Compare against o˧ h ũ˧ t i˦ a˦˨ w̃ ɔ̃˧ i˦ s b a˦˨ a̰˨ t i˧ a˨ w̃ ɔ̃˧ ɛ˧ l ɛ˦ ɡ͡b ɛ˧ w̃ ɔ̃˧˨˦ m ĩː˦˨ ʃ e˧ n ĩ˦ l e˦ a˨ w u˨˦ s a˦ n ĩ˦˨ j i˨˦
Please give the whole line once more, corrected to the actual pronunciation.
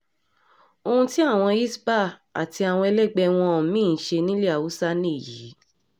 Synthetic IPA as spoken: o˧ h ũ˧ t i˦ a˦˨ w̃ ɔ̃˧ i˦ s b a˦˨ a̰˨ t i˧ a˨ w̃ ɔ̃˧ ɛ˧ l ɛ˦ ɡ͡b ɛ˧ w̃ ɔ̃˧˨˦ m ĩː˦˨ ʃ e˧ n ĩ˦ l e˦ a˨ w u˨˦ s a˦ n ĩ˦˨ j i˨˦

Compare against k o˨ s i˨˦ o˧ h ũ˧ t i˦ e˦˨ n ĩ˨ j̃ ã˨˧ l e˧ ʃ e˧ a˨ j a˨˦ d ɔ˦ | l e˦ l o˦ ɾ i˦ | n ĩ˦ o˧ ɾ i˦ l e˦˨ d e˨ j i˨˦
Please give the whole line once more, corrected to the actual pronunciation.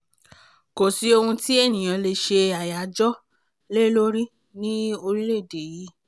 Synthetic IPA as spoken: k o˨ s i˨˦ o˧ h ũ˧ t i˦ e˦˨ n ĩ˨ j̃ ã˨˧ l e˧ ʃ e˧ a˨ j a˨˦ d͡ʒ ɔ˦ | l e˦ l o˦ ɾ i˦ | n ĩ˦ o˧ ɾ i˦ l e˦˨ d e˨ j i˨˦

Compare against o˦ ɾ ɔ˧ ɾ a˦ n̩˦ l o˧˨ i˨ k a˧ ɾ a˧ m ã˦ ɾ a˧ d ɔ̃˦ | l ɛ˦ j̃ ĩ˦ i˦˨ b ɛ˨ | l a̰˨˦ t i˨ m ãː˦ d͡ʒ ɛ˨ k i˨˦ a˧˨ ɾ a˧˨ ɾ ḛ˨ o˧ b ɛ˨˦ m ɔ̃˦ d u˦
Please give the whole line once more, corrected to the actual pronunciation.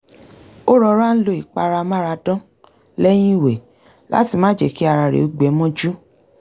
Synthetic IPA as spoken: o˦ ɾ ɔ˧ ɾ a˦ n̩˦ l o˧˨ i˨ k͡p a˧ ɾ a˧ m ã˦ ɾ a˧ d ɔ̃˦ | l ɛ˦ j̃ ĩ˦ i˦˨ w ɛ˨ | l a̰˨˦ t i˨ m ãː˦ d͡ʒ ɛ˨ k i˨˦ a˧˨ ɾ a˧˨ ɾ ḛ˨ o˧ ɡ͡b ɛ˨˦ m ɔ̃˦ d͡ʒ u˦

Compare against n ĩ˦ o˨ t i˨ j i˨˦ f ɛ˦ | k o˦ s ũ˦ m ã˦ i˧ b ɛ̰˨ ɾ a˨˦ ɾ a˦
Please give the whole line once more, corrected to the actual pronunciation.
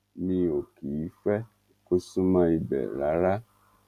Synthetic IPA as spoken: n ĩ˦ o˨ k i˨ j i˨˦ f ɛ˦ | k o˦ s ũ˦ m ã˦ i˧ b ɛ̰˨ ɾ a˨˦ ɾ a˦

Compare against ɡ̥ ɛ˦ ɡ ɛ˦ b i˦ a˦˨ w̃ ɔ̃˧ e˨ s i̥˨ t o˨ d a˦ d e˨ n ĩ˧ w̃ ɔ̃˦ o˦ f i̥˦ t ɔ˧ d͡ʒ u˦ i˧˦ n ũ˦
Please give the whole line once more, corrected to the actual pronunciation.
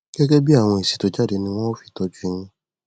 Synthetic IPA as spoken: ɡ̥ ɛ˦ ɡ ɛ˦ b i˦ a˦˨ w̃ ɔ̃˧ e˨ s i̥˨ t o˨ d͡ʒ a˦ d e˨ n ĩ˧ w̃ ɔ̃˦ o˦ f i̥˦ t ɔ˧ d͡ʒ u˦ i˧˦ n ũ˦

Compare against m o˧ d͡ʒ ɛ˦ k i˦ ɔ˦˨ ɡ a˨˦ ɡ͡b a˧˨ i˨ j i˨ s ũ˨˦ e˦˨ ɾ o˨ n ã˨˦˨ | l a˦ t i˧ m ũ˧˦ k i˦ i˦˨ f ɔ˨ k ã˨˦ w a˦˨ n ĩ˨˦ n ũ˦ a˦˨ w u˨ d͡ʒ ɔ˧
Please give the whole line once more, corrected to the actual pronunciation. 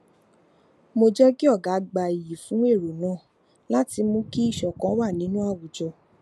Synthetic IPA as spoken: m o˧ d͡ʒ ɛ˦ k i˦ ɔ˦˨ ɡ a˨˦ ɡ͡b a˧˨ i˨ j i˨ f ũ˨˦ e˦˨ ɾ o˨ n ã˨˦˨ | l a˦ t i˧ m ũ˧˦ k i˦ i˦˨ ʃ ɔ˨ k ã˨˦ w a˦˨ n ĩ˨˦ n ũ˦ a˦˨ w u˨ d͡ʒ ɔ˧

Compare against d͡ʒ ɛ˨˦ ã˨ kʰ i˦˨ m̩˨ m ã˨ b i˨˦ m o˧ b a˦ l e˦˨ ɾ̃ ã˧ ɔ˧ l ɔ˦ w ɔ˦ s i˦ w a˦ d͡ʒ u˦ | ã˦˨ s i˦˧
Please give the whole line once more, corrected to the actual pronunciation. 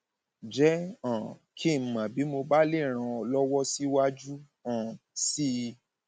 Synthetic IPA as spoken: d͡ʒ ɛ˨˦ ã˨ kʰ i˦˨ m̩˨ m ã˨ b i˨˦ m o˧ b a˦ l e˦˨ ɾ̃ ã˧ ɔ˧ l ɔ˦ w ɔ˦ s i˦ w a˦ d͡ʒ u˦ | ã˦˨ s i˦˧

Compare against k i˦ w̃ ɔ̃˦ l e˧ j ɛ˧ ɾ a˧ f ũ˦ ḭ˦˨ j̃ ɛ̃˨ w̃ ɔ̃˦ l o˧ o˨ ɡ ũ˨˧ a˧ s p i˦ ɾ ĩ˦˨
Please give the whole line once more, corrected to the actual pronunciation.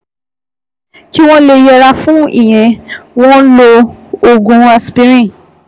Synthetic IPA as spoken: k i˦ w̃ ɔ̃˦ l e˧ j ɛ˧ ɾ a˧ f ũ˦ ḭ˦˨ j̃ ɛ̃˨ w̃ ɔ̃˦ l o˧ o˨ ɡ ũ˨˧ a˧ s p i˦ ɾ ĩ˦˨

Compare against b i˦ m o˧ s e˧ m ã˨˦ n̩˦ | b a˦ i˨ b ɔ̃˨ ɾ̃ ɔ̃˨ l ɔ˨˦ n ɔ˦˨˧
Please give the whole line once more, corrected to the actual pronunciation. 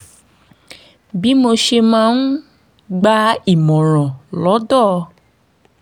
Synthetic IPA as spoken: b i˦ m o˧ ʃ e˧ m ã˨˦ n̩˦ | ɡ͡b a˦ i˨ m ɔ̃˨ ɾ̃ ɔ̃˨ l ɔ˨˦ d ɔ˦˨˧

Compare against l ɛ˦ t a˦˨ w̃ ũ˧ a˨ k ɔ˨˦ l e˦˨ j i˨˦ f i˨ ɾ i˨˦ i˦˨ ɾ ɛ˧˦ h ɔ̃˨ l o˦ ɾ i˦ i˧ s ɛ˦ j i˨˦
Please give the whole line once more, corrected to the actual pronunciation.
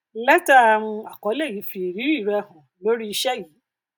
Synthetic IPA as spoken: l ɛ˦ t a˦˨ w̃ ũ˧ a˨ k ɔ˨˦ l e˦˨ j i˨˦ f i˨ ɾ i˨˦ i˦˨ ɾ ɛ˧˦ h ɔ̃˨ l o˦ ɾ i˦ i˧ ʃ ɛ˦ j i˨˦

